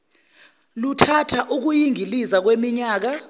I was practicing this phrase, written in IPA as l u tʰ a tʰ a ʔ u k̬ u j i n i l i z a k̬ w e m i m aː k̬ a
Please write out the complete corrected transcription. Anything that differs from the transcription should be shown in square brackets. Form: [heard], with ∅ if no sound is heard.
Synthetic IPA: l u tʰ a tʰ a ʔ u k̬ u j i [ŋ] i l i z a k̬ w e m i [ɲ] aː k̬ a